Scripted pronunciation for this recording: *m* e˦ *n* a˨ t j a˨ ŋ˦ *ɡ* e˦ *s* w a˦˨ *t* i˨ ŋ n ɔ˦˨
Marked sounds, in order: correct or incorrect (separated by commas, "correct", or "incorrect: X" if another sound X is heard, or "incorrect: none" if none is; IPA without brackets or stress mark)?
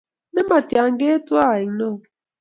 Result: incorrect: n, incorrect: m, correct, incorrect: t, incorrect: none